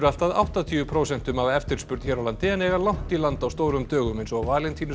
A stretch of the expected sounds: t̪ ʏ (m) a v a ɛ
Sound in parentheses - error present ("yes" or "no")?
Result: no